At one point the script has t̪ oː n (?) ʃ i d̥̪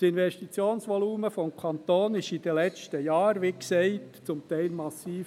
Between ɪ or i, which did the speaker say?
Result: ɪ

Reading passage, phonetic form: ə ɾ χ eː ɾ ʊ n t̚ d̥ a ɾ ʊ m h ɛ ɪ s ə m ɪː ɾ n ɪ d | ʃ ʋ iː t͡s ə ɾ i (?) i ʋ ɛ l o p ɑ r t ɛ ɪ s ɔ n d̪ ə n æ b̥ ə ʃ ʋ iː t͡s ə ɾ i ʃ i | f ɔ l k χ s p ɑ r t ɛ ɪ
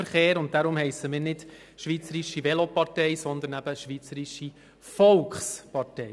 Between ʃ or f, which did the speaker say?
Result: ʃ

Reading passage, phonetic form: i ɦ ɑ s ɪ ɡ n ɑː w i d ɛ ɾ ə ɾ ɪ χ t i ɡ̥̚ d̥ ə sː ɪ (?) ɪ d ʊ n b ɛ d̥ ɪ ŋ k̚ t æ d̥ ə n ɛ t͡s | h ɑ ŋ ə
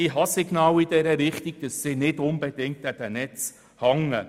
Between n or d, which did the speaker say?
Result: n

